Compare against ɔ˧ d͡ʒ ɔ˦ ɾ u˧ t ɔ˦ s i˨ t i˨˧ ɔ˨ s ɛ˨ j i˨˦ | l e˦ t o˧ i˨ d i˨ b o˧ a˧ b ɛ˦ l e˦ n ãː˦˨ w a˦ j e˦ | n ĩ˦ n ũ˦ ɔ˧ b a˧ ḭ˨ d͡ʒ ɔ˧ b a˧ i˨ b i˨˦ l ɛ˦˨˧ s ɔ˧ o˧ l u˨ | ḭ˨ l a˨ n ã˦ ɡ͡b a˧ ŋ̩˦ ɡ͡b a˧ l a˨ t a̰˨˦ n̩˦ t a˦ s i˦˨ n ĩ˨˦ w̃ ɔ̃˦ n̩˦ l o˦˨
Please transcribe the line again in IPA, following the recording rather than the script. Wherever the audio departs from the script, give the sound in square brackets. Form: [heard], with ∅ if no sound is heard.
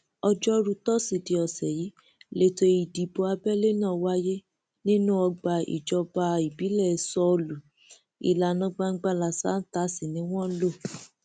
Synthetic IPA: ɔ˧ d͡ʒ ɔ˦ ɾ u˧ t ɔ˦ s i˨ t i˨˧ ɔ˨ s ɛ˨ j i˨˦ | l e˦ t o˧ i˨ d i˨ b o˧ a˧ b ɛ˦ l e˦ n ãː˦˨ w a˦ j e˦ | n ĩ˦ n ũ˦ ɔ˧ [ɡ͡b] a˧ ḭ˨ d͡ʒ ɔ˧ b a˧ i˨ b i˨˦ l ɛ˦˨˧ s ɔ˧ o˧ l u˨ | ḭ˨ l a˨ n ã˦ ɡ͡b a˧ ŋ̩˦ ɡ͡b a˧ l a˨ [s] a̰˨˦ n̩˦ t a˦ s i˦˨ n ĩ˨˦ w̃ ɔ̃˦ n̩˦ l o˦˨